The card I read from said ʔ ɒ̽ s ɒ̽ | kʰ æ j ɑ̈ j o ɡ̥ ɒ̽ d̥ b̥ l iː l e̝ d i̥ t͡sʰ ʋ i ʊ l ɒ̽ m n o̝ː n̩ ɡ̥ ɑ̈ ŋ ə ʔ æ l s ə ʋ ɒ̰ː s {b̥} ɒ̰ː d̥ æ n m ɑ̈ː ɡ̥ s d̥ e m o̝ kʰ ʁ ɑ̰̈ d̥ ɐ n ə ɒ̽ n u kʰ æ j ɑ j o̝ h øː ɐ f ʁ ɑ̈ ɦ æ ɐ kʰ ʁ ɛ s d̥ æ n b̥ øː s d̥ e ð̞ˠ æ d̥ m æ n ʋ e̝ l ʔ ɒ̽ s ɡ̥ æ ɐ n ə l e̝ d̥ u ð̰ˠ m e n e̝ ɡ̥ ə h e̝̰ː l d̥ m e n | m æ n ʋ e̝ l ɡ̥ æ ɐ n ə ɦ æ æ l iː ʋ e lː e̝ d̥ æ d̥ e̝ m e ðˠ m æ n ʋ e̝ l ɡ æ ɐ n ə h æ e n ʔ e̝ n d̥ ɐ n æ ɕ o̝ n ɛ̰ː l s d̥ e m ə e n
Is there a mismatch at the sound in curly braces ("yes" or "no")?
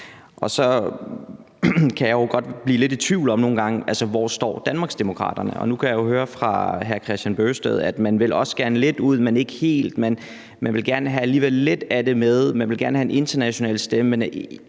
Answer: yes